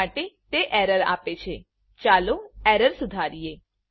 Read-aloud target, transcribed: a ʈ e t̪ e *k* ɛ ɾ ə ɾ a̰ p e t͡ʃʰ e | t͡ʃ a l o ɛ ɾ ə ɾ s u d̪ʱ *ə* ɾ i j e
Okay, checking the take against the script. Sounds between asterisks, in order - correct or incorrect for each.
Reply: incorrect: ʔ, incorrect: a

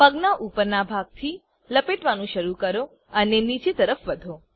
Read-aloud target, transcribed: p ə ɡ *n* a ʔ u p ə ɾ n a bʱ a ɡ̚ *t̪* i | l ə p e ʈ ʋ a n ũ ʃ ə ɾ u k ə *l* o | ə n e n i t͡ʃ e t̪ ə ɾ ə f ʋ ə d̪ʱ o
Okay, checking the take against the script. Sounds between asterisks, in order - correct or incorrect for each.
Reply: correct, incorrect: t̪ʰ, incorrect: ɾ

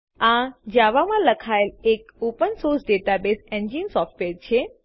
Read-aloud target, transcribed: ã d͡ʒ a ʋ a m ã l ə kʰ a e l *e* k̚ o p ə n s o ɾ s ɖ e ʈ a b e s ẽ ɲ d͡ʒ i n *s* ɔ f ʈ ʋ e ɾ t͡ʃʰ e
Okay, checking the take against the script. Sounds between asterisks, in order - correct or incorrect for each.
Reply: correct, correct

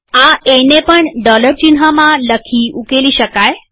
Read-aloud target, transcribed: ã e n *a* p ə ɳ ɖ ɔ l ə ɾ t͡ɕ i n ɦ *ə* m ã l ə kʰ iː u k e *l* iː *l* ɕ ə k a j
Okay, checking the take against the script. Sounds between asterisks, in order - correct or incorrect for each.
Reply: incorrect: e, incorrect: a, correct, incorrect: none

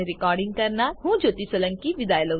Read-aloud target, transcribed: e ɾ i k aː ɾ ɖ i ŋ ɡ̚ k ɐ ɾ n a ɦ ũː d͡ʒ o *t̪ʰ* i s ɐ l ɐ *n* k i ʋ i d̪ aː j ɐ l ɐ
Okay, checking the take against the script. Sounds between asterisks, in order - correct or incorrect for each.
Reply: incorrect: t̪, incorrect: ŋ

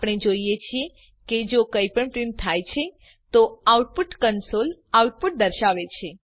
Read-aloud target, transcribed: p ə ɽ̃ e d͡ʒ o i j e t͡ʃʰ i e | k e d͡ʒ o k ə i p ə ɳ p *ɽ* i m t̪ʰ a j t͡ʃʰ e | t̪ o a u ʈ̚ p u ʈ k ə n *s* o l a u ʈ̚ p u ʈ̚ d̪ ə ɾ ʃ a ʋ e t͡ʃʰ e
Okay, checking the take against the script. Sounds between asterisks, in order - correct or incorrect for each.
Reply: incorrect: ɾ, correct

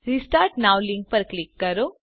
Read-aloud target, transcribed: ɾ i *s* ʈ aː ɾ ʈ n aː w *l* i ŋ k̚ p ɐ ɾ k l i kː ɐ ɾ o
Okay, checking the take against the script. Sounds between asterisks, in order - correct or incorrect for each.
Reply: correct, correct

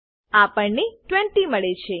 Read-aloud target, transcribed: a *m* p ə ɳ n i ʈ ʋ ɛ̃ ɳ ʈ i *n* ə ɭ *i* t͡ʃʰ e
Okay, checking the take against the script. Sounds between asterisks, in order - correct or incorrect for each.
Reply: incorrect: none, incorrect: m, incorrect: e

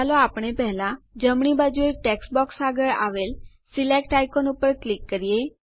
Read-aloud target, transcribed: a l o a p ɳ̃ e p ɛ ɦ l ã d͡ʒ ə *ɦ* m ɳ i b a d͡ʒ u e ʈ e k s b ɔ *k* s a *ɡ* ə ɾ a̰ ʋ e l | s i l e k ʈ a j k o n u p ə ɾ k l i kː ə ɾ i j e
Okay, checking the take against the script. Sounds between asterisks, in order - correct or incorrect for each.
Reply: incorrect: none, correct, correct

